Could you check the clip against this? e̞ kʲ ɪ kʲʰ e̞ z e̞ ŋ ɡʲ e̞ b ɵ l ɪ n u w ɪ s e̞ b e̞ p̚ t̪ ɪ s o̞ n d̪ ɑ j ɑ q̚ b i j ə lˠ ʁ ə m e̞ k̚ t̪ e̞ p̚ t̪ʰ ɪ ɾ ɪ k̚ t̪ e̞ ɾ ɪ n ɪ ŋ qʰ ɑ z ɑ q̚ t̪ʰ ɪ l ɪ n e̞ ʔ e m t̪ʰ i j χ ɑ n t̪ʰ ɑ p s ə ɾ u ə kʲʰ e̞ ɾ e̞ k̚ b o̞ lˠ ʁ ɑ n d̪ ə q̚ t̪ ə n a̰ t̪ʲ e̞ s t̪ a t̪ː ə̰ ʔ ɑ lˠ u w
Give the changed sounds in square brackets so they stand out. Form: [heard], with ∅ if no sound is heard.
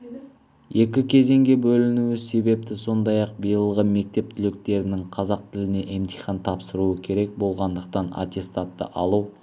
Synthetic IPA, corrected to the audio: e̞ kʲ ɪ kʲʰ e̞ z e̞ ŋ ɡʲ e̞ b ɵ l ɪ n u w ɪ s e̞ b e̞ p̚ t̪ ɪ s o̞ n d̪ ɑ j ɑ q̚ b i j ə lˠ ʁ ə m e̞ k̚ t̪ e̞ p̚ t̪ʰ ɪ [l] ɪ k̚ t̪ e̞ ɾ ɪ n ɪ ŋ qʰ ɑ z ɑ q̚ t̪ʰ ɪ l ɪ n e̞ ʔ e m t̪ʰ i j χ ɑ n t̪ʰ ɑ p s ə ɾ u ə kʲʰ e̞ ɾ e̞ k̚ b o̞ lˠ ʁ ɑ n d̪ ə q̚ t̪ [ɑ] n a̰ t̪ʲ e̞ s t̪ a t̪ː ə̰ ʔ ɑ lˠ u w